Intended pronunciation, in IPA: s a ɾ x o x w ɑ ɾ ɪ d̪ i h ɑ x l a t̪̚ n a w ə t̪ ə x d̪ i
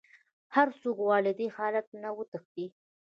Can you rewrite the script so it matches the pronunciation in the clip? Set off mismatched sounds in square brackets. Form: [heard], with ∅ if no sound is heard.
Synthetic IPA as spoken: [h] a ɾ [s] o [k] w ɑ [l] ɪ d̪ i h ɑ [∅] l a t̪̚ n a w ə t̪ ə x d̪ i